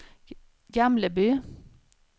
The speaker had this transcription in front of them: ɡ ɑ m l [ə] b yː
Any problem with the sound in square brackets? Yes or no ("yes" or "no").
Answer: no